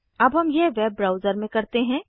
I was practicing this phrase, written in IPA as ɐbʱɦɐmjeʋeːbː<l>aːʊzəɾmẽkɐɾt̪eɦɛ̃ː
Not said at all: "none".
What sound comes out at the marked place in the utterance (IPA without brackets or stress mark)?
ɾ